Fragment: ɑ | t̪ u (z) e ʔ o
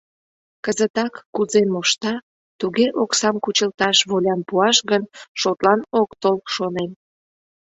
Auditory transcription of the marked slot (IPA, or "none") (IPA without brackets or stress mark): ɣ